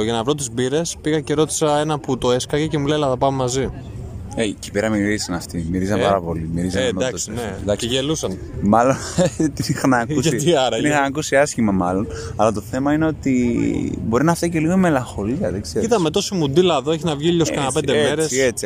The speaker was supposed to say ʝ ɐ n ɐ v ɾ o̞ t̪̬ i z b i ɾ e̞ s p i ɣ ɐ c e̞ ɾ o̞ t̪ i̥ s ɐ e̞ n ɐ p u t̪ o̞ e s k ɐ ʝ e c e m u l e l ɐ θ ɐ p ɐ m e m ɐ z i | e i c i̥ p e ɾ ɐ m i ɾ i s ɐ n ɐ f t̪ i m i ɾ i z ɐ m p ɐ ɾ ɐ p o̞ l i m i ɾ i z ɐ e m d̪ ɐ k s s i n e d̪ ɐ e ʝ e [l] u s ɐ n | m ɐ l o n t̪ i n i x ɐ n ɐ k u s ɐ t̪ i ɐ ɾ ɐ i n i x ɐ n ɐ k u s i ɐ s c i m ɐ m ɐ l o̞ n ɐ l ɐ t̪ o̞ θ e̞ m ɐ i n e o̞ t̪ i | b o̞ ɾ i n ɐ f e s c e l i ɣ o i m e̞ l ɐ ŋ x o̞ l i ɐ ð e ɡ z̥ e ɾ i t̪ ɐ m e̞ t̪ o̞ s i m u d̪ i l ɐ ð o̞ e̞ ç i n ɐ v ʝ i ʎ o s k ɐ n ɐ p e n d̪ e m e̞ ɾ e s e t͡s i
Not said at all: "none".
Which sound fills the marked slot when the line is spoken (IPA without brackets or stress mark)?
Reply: l